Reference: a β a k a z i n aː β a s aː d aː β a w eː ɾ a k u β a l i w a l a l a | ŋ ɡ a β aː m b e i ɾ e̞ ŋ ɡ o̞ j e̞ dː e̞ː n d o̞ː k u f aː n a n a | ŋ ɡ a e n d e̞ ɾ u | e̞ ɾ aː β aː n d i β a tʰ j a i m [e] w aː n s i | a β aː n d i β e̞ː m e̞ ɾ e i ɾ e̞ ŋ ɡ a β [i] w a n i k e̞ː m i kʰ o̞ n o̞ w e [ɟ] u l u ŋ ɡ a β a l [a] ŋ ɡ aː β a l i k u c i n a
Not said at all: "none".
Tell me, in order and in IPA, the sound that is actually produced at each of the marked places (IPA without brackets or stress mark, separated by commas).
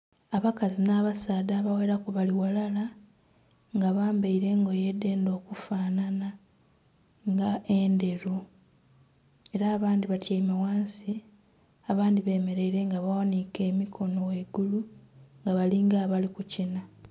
a, a, ɡ, i